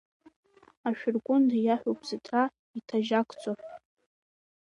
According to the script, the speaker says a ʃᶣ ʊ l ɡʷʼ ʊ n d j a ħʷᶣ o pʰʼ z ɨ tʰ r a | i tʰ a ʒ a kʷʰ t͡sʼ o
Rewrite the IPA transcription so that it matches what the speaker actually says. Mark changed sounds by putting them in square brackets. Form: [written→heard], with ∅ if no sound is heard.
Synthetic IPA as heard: a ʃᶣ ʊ [l→r] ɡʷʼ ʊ n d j a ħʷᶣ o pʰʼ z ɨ tʰ r a | i tʰ a ʒ a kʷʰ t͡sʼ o